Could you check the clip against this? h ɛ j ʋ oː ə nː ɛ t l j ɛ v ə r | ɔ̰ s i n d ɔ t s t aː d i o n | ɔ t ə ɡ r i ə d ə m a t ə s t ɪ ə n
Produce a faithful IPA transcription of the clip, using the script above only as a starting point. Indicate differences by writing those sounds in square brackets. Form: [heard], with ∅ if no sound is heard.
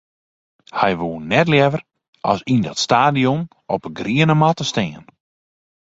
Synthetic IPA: h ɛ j ʋ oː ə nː ɛ t l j ɛ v ə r | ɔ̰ s i n d ɔ t s t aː d i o n | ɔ [p] ə ɡ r i ə [n] ə m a t ə s t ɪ ə n